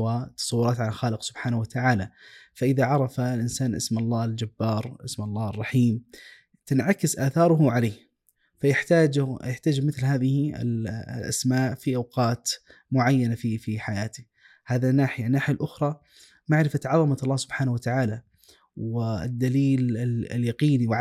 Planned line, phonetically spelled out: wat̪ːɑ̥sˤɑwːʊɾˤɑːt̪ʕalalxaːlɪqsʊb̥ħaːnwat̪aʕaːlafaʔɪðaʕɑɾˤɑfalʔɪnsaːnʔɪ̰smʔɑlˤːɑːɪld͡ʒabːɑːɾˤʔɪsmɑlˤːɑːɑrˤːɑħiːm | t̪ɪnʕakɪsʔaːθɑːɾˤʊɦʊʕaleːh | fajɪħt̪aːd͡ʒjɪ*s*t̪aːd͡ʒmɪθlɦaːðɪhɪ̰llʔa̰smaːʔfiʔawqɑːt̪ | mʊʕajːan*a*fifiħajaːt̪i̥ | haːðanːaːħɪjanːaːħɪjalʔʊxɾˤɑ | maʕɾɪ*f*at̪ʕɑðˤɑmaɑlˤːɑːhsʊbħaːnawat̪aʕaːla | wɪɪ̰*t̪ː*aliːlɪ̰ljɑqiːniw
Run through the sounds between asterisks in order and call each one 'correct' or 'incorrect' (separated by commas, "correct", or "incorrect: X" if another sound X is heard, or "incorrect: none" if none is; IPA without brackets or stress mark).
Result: incorrect: ħ, correct, correct, incorrect: d̪ː